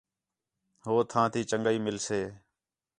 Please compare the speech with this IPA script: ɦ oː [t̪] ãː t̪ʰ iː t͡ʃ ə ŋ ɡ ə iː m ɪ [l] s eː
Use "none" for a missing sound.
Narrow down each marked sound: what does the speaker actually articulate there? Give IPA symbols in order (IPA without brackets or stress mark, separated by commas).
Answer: t̪ʰ, l